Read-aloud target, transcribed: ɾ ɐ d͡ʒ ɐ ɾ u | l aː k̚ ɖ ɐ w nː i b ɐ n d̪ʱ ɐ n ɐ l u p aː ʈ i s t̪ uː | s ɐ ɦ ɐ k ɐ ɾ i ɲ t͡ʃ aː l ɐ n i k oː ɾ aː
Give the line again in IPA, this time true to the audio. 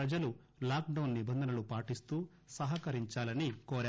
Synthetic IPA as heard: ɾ ɐ d͡ʒ ɐ l u | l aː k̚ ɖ ɐ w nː i b ɐ n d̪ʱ ɐ n ɐ l u p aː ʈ i s t̪ uː | s ɐ ɦ ɐ k ɐ ɾ i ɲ t͡ʃ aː l ɐ n i k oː ɾ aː